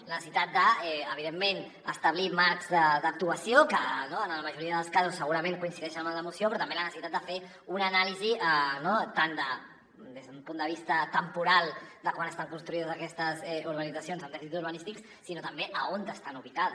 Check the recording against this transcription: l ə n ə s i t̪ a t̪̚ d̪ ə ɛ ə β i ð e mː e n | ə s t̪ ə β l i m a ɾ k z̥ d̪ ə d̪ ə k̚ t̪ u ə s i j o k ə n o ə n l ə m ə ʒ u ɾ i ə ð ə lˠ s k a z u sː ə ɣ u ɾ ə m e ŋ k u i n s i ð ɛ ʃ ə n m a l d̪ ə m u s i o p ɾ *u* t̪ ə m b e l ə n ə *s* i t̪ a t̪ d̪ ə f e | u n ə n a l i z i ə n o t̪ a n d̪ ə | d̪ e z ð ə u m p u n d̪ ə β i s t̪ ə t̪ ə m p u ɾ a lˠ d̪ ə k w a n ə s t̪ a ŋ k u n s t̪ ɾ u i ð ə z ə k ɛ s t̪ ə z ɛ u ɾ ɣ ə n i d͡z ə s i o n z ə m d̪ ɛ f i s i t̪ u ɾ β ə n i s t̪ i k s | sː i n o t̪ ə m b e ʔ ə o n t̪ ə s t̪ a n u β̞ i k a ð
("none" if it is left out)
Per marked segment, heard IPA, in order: ɔ, s

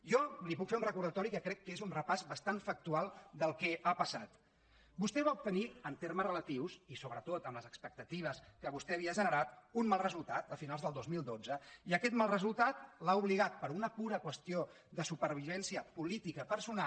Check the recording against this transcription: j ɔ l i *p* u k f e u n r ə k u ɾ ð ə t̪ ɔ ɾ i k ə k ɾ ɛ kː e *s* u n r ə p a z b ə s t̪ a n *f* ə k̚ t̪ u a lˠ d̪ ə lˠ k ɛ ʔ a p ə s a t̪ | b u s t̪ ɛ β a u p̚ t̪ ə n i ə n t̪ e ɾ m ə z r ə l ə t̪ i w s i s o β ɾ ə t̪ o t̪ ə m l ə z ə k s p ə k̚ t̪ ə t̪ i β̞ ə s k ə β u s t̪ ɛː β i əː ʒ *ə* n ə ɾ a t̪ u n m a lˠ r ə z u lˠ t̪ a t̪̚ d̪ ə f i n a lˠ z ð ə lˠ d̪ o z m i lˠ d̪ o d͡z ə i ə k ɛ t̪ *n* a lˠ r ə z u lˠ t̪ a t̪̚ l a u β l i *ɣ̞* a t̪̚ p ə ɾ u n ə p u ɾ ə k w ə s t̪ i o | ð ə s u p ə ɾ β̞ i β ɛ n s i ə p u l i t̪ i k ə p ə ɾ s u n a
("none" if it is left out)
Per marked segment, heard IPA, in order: p, z, f, ə, m, ɣ̞

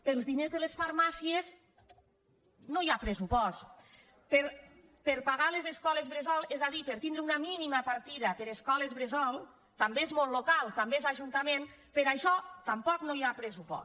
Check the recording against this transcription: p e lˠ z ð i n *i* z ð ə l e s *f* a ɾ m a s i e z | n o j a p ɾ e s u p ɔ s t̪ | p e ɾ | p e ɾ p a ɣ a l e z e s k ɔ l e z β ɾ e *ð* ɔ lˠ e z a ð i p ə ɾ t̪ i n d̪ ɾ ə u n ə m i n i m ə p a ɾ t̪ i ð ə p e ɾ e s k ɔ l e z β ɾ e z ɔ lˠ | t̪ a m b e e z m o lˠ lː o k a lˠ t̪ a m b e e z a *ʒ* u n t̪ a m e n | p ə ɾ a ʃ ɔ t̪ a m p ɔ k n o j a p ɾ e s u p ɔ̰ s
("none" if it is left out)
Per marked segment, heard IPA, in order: e, f, z, ʒ

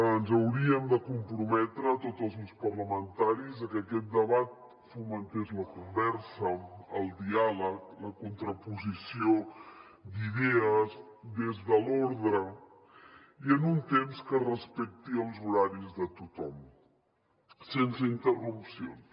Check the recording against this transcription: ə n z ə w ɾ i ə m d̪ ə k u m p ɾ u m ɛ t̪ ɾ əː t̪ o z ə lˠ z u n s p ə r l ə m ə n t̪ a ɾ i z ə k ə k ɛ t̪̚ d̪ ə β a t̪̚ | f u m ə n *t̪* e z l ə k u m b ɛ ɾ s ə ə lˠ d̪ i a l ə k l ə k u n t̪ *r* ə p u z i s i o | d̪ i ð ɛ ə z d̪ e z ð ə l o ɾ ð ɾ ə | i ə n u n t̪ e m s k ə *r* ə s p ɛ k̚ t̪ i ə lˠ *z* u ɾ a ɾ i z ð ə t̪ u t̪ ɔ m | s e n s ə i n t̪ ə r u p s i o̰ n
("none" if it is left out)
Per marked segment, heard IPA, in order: t̪, ɾ, r, z

